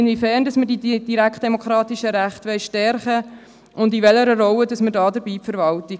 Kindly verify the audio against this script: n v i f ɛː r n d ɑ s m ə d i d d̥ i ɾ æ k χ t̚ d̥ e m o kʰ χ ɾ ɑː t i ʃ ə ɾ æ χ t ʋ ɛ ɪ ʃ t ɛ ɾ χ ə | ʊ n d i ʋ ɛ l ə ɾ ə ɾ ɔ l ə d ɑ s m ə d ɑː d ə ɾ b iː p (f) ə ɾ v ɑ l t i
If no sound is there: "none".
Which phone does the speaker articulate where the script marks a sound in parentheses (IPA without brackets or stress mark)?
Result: f